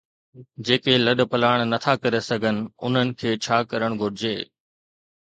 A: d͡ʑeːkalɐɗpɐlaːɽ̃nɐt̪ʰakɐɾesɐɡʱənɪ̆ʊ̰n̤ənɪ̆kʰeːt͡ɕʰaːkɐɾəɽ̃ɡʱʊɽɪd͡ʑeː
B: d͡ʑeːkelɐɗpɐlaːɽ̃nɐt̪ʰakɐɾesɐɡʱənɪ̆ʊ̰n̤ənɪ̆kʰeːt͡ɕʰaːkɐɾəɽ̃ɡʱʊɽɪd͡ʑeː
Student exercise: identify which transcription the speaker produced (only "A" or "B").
B